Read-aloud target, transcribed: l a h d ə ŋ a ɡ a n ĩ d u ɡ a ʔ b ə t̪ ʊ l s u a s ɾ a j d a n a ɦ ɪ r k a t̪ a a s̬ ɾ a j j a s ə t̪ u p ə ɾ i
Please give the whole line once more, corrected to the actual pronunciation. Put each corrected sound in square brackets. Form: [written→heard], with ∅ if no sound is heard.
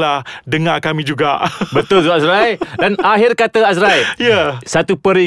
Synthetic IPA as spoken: l a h d ə ŋ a [ɡ→k] a [n→m] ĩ [d→d͡ʒ] u ɡ a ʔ b ə t̪ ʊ l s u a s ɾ a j d a n a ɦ ɪ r k a t̪ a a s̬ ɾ a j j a s [ə→a] t̪ u p ə ɾ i